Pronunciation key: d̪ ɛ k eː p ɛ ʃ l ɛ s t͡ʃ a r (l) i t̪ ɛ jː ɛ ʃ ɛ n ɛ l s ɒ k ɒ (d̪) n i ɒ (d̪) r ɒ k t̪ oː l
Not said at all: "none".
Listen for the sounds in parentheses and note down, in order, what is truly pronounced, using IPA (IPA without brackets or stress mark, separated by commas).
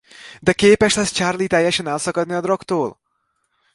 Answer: l, d̪, d̪